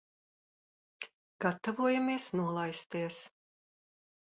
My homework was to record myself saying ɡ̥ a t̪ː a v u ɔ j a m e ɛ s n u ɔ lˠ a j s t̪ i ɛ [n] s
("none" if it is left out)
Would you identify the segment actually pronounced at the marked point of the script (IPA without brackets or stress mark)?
none